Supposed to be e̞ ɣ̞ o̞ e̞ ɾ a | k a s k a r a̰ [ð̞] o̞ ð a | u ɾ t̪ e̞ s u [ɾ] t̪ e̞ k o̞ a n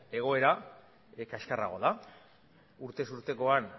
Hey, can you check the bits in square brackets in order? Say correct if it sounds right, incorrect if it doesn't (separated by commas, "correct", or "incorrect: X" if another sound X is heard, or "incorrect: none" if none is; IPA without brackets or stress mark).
incorrect: ɣ̞, correct